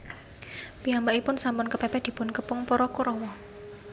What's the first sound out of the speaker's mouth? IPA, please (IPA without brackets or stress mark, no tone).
p